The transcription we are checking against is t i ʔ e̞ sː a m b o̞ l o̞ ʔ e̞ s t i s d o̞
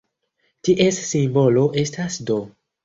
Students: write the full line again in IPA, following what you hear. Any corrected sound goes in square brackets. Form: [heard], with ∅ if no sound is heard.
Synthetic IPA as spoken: t i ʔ e̞ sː [i] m b o̞ l o̞ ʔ e̞ s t [a] s d o̞